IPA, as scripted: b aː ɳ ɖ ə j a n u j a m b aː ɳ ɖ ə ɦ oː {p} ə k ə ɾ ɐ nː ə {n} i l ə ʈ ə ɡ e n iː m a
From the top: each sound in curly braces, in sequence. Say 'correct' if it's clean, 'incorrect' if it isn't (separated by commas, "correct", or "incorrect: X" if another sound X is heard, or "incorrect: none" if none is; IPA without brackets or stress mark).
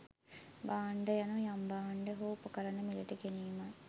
correct, incorrect: m